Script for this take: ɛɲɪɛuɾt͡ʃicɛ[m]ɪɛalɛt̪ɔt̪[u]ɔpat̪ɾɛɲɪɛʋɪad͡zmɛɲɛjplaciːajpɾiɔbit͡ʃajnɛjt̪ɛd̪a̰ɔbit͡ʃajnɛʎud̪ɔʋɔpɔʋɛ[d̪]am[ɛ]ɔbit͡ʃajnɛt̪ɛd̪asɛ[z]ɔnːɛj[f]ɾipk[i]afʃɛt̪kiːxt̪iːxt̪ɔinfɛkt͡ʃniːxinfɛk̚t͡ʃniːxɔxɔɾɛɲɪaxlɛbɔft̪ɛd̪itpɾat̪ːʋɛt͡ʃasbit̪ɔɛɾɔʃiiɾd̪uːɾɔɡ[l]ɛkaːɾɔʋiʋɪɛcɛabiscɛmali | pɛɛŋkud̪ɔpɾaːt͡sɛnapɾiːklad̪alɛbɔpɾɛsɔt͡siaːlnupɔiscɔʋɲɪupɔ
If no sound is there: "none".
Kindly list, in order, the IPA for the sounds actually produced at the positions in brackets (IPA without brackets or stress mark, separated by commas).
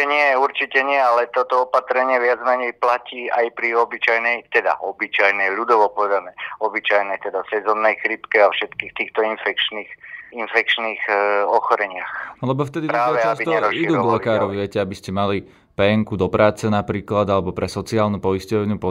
ɲ, ɔ, d̪, ɛ, z, x, ɛ, l